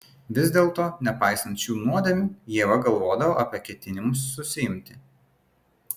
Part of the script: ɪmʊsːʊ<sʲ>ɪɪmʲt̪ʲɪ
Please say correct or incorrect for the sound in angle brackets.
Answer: correct